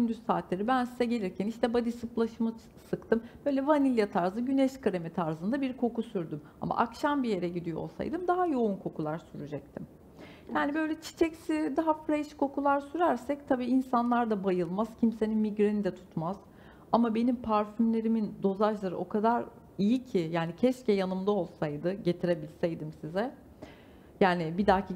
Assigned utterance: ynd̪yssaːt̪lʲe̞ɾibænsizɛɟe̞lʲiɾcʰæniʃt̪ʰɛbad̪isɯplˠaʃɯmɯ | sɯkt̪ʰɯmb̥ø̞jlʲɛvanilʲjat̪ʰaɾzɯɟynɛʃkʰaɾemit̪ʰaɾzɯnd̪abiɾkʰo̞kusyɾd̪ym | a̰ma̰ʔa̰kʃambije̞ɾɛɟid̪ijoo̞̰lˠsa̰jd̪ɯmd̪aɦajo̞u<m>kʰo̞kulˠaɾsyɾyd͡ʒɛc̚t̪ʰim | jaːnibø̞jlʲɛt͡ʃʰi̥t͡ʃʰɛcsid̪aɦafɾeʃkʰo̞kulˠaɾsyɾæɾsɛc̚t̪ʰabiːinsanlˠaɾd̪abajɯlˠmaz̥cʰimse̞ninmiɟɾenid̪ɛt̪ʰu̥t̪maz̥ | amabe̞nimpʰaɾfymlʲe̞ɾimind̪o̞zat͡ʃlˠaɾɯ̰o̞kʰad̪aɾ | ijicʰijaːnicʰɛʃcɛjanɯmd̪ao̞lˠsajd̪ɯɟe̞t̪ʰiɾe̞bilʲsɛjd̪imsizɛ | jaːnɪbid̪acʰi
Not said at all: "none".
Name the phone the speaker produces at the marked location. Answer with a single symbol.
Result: n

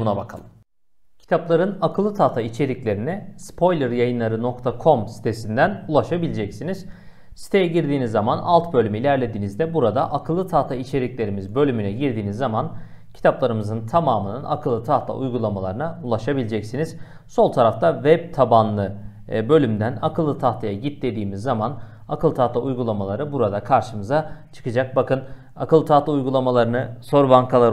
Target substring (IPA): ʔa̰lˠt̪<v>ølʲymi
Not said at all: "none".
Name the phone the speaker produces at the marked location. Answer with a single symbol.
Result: b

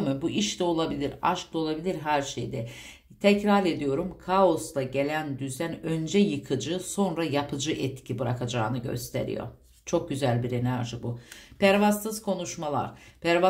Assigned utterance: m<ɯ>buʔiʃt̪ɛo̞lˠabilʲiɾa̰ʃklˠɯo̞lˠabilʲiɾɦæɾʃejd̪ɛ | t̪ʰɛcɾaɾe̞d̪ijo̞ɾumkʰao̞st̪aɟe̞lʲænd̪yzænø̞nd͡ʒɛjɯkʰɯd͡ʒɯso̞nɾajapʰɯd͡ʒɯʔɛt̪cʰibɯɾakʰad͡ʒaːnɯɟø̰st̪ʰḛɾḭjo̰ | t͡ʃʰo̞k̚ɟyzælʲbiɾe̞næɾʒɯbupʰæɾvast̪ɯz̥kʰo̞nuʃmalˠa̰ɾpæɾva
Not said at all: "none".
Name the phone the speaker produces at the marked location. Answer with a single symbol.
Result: ɯ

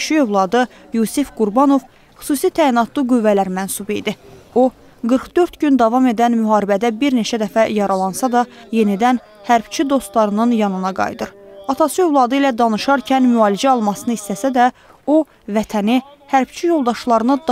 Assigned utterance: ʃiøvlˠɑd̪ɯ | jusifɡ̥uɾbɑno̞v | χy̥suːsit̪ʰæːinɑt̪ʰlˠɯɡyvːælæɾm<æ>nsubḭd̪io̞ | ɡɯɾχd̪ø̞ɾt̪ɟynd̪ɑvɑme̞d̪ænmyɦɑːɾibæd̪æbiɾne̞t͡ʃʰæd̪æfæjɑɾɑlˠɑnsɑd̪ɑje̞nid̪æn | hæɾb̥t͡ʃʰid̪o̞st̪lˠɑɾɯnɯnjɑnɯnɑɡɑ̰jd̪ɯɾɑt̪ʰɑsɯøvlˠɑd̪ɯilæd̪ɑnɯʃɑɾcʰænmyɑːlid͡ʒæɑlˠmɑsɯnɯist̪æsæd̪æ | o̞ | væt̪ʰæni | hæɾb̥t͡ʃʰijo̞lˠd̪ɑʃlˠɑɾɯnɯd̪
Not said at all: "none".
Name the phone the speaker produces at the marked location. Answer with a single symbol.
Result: æ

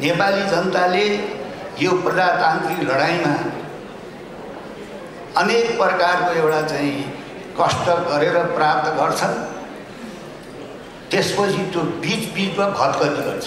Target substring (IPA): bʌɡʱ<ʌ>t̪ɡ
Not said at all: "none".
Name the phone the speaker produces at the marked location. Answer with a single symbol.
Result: ʌ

